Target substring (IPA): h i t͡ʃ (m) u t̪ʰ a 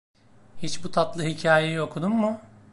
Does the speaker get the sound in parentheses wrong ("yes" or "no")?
yes